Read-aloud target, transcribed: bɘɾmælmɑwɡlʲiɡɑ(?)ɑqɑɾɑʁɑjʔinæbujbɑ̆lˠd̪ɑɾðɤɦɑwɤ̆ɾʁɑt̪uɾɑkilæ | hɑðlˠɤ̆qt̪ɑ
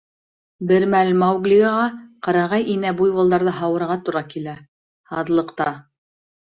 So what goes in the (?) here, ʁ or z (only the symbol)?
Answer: ʁ